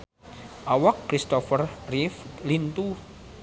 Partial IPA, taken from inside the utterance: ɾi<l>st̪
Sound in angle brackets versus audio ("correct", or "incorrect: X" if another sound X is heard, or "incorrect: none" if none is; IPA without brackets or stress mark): incorrect: none